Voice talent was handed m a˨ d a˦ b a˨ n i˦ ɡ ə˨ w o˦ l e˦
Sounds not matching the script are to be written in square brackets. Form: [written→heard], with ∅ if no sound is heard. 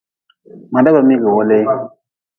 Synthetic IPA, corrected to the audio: m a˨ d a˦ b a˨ [n→m] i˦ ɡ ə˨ w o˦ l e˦